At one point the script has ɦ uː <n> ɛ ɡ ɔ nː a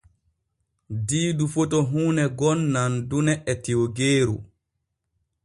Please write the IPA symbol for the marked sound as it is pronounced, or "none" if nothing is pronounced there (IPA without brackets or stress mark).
n